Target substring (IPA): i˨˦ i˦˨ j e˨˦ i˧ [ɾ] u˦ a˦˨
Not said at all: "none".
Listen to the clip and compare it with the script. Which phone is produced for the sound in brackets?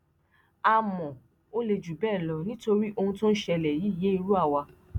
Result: ɾ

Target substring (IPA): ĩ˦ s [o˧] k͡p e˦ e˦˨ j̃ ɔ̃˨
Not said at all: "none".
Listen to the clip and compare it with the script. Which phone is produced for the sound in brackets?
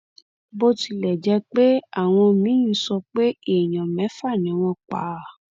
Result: ɔ˧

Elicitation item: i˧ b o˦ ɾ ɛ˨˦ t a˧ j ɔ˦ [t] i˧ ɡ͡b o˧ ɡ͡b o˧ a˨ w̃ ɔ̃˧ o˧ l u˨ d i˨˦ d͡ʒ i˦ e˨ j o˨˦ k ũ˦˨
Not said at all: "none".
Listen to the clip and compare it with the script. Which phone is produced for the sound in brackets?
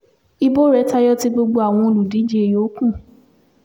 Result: t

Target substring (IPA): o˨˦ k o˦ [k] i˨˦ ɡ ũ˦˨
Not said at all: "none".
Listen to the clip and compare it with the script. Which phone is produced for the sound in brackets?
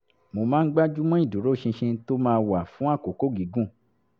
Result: ɡ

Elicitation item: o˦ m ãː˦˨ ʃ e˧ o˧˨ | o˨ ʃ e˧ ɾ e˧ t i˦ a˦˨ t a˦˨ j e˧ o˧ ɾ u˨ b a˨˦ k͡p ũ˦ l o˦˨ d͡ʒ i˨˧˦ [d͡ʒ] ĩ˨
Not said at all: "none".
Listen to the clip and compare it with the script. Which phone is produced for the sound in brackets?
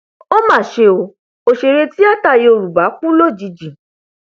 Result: d͡ʒ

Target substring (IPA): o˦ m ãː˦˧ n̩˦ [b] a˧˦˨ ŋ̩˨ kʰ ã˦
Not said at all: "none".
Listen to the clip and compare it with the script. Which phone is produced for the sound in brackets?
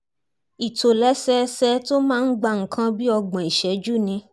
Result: ɡ͡b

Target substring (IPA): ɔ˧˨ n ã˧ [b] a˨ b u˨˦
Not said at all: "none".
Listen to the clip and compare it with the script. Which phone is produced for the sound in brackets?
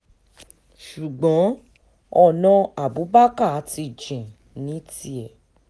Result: none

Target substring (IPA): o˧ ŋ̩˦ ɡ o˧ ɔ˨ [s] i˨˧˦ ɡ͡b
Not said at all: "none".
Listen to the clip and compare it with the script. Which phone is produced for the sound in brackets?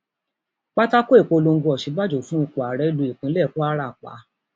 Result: ʃ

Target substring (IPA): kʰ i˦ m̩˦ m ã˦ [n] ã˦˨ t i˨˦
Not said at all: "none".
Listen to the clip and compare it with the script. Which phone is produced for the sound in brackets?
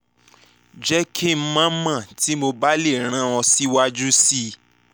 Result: m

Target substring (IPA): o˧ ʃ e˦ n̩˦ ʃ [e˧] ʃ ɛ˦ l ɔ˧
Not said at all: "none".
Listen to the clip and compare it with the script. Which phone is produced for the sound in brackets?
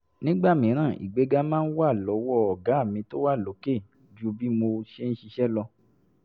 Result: i˧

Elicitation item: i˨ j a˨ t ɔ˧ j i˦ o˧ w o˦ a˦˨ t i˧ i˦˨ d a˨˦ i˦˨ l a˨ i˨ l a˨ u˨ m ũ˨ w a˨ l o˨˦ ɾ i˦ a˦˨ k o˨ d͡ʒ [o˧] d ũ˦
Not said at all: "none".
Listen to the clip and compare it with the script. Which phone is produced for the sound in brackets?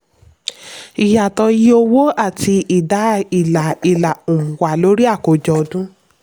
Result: ɔ˧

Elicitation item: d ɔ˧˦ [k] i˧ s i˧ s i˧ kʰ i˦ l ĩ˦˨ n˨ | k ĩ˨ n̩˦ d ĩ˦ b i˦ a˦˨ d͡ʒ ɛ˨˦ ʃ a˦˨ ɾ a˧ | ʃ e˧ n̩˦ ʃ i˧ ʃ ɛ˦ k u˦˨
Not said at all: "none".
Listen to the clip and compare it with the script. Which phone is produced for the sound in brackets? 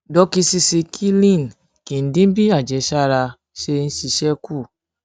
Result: k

